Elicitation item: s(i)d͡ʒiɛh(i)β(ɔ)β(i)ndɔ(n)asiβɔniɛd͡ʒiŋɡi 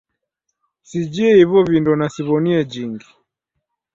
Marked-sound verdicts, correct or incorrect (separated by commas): correct, correct, correct, correct, correct